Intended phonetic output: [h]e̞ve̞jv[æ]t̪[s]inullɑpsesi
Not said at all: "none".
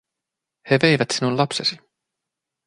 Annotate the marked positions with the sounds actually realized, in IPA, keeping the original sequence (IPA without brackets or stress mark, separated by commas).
h, æ, s